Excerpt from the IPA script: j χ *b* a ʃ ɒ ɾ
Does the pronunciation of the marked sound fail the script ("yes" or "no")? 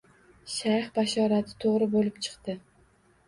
no